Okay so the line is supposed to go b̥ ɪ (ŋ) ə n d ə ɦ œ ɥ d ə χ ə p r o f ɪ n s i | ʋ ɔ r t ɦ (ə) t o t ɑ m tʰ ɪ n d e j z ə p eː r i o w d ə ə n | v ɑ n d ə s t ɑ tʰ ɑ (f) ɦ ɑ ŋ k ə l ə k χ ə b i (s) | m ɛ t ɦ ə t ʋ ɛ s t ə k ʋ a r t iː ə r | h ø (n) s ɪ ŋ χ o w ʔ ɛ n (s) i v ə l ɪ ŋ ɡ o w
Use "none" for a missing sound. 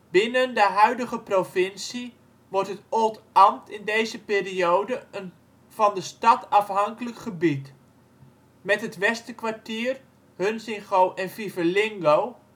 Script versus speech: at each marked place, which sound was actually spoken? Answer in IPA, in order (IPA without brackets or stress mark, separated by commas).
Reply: n, ə, f, t, n, f